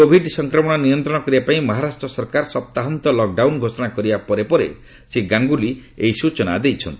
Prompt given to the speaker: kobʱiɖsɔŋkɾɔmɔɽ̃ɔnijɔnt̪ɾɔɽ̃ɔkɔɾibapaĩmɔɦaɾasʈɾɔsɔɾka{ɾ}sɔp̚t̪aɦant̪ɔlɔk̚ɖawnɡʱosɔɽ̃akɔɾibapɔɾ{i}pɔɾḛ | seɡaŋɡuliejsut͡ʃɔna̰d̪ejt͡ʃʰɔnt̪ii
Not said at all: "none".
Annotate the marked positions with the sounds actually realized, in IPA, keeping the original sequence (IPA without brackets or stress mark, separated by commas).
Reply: ɾ, e